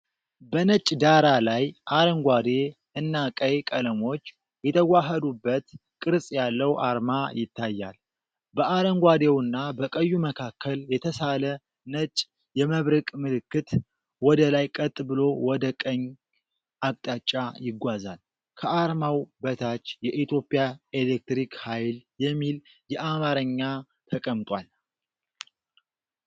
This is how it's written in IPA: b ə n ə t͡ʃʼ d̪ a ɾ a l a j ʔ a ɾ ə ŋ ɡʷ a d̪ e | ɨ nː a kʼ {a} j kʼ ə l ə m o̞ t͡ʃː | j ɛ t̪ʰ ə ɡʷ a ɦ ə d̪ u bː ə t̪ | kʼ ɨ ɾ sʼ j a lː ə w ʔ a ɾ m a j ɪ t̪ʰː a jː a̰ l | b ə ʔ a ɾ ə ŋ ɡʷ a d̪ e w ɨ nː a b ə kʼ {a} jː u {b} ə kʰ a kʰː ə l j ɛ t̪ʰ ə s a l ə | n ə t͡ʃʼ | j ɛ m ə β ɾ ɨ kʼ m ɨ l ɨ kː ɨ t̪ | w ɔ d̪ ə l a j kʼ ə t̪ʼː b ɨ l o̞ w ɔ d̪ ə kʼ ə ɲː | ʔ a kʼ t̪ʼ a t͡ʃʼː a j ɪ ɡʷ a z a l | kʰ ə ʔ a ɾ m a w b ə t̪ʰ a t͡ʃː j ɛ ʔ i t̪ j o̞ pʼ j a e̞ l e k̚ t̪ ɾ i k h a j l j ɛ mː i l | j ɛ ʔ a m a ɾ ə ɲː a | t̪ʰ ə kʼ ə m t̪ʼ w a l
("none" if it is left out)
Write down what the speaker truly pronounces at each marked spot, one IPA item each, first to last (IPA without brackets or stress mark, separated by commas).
ə, ə, m